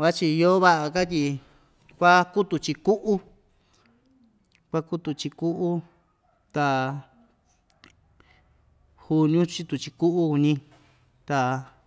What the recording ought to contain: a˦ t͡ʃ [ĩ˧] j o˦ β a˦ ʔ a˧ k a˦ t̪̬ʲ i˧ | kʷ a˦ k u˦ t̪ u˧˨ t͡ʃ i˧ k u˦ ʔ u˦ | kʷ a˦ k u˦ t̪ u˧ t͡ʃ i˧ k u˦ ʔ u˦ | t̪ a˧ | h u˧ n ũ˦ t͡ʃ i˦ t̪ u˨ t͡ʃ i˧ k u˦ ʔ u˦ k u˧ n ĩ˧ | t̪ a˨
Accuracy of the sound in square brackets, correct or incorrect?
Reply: incorrect